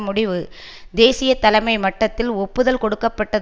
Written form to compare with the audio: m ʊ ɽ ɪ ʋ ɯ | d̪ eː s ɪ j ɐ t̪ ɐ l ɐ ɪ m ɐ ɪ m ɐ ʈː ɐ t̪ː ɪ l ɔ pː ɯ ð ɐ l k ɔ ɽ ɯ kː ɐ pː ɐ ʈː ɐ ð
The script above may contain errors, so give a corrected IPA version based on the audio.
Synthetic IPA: m ʊ ɽ ɪ ʋ ɯ | d̪ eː s ɪ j ɐ t̪ ɐ l ɐ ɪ m ɐ ɪ m ɐ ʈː ɐ t̪ː ɪ l ɔ pː ɯ ð ɐ l k ɔ ɽ ɯ kː ɐ pː ɐ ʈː ɐ ð